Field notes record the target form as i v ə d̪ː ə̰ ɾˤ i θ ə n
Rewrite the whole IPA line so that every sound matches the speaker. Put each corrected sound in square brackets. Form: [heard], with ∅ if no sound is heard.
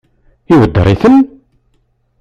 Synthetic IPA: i [w] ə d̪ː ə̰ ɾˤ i θ ə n